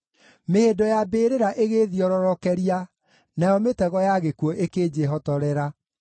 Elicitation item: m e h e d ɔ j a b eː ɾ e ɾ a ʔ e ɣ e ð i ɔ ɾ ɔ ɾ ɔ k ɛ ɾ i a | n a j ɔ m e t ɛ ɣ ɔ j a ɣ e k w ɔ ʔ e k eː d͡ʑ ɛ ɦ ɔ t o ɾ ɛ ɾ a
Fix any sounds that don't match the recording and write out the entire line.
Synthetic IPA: m e h e d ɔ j a b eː ɾ e ɾ a ʔ e ɣ e ð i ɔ ɾ ɔ ɾ ɔ k ɛ ɾ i a | n a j ɔ m e t ɛ ɣ ɔ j a ɣ e k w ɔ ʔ e k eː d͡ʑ e ɦ ɔ t ɔ ɾ ɛ ɾ a